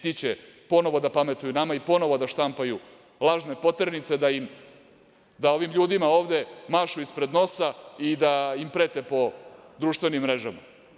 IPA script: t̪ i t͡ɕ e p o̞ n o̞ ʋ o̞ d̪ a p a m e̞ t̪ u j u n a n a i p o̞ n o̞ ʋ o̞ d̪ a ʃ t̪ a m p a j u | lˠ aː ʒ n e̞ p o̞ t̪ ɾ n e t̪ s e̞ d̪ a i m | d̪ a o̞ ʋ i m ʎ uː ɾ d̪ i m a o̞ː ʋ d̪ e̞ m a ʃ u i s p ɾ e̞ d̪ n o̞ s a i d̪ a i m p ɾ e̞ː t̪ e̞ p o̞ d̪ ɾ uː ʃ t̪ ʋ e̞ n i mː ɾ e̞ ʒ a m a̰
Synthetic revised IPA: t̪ i t͡ɕ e p o̞ n o̞ ʋ o̞ d̪ a p a m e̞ t̪ u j u n a m a i p o̞ n o̞ ʋ o̞ d̪ a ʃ t̪ a m p a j u | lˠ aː ʒ n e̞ p o̞ t̪ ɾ n i t̪ s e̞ d̪ a i m | d̪ a o̞ ʋ i m ʎ uː d̪ i m a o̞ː ʋ d̪ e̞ m a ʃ u i s p ɾ e̞ d̪ n o̞ s a i d̪ a i m p ɾ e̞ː t̪ e̞ p o̞ d̪ ɾ uː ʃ t̪ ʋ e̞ n i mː ɾ e̞ ʒ a m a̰